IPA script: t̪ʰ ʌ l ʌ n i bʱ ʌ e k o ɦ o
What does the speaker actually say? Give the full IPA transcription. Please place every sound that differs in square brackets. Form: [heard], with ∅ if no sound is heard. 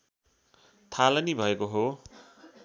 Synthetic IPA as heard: t̪ʰ [a] l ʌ n i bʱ ʌ e k o ɦ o